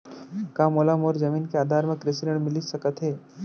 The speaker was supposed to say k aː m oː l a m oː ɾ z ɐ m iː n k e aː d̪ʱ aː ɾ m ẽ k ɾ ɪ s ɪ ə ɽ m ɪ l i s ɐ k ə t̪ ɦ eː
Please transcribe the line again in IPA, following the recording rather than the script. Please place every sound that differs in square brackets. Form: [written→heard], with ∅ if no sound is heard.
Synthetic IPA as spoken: k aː m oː l a m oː ɾ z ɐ m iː n k e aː d̪ʱ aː ɾ m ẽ k ɾ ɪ s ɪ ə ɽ m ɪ l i s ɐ k ə t̪ ɦ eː

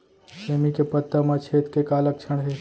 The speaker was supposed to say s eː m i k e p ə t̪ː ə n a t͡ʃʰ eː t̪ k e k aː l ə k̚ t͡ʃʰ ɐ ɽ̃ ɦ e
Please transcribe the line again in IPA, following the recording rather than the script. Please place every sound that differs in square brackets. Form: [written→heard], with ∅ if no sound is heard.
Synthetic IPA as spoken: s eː m i k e p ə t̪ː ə [n→m] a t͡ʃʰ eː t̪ k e k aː l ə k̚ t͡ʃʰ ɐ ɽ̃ ɦ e

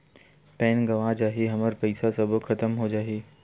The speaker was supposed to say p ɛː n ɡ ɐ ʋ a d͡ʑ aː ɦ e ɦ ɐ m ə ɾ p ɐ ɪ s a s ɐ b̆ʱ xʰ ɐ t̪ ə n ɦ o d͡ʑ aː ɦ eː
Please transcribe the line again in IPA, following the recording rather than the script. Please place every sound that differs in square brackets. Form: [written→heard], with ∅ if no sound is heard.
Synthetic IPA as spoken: p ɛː n ɡ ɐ ʋ a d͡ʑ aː ɦ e ɦ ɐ m ə ɾ p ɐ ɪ s a s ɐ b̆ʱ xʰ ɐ t̪ ə [n→m] ɦ o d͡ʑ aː ɦ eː

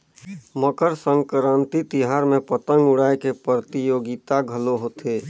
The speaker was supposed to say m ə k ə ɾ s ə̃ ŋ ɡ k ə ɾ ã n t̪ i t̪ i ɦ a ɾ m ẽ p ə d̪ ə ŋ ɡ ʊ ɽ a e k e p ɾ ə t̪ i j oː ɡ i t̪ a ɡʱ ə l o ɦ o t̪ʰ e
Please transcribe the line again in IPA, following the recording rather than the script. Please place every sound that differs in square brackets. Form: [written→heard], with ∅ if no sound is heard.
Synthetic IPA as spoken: m ə k ə ɾ s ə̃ ŋ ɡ k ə ɾ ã n t̪ i t̪ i ɦ a ɾ m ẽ p ə [d̪→t̪] ə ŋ ɡ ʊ ɽ a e k e p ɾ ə t̪ i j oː ɡ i t̪ a ɡʱ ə l o ɦ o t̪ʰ e

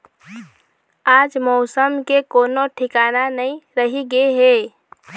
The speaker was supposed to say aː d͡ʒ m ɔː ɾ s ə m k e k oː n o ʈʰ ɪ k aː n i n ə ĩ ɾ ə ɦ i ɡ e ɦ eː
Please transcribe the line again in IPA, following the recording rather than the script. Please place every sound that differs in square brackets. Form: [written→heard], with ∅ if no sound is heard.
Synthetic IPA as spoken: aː d͡ʒ m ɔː [ɾ→∅] s ə m k e k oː n o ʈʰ ɪ k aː n [i→a] n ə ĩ ɾ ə ɦ i ɡ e ɦ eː

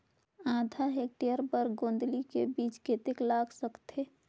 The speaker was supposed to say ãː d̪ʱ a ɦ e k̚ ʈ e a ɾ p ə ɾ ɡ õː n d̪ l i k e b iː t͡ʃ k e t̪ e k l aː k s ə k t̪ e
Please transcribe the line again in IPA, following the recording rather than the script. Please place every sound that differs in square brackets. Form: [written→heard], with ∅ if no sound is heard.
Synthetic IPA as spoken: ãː d̪ʱ a ɦ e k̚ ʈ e [a→ə] ɾ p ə ɾ ɡ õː n d̪ l i k e b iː t͡ʃ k e t̪ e k l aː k s ə k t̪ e

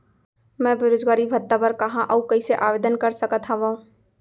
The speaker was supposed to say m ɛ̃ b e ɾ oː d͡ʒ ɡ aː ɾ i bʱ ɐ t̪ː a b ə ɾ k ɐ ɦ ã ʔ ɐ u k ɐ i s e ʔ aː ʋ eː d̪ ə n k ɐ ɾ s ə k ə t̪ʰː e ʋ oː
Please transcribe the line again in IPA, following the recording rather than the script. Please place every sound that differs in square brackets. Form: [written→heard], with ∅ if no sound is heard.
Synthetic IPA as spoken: m ɛ̃ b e ɾ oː d͡ʒ ɡ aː ɾ i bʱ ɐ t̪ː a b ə ɾ k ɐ ɦ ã ʔ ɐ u k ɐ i s e ʔ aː ʋ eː d̪ ə n k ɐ ɾ s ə k ə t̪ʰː [e→a] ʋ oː

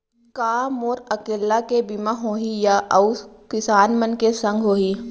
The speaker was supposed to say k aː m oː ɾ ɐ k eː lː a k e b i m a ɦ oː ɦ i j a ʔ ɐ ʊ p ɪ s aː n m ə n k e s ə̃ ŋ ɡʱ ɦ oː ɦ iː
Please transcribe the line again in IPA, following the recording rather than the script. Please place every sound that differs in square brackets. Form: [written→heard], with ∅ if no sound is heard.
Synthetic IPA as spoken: k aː m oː ɾ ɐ k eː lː a k e b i m a ɦ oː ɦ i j a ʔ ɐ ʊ [p→k] ɪ s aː n m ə n k e s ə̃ ŋ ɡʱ ɦ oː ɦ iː

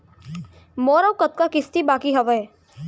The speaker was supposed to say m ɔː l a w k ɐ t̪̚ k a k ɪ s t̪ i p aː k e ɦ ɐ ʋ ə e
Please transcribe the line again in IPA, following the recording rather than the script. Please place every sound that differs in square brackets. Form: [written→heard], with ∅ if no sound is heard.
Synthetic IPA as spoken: m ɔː [l→ɾ] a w k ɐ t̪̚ k a k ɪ s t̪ i [p→b] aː k [e→i] ɦ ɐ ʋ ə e

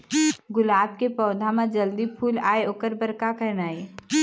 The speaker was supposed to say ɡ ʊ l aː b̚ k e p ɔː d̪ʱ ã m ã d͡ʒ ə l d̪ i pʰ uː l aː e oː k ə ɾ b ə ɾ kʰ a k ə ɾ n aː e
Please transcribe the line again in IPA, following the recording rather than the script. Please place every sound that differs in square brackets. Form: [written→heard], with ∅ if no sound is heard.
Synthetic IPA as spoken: ɡ ʊ l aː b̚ k e p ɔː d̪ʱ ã m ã d͡ʒ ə l d̪ i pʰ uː l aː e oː k ə ɾ b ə ɾ [kʰ→k] a k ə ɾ n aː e

